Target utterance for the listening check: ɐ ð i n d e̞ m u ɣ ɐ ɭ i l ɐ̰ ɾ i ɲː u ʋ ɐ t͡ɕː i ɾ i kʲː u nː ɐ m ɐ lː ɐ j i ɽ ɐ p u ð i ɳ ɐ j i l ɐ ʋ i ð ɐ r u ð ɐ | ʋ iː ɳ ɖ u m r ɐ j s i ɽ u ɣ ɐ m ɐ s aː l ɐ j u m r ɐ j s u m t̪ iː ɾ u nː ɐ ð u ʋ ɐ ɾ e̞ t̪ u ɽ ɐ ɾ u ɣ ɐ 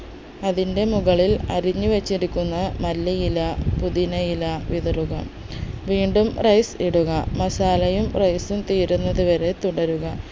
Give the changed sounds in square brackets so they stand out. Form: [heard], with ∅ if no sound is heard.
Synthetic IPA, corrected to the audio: ɐ ð i n d e̞ m u ɣ ɐ ɭ i l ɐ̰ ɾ i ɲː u ʋ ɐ t͡ɕː i ɾ i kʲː u nː ɐ m ɐ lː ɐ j i [l] ɐ p u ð i [n] ɐ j i l ɐ ʋ i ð ɐ r u [ɣ] ɐ | ʋ iː ɳ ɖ u m r ɐ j s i ɽ u ɣ ɐ m ɐ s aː l ɐ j u m r ɐ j s u m t̪ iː ɾ u nː ɐ ð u ʋ ɐ ɾ e̞ t̪ u ɽ ɐ ɾ u ɣ ɐ